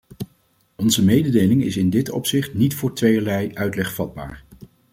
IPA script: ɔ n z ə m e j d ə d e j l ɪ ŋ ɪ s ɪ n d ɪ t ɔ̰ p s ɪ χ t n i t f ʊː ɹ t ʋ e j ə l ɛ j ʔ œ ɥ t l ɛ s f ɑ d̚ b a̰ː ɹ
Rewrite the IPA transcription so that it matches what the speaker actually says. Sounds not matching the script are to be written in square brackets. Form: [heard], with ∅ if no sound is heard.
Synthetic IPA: ɔ n z ə m e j d ə d e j l ɪ ŋ ɪ s ɪ n d ɪ t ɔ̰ p s ɪ χ t n i t f ʊː ɹ t ʋ e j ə l ɛ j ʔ œ ɥ t l ɛ [χ] f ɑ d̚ b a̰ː ɹ